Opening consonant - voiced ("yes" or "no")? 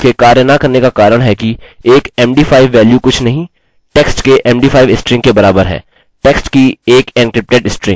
no